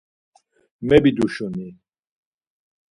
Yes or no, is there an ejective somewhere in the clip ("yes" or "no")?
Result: no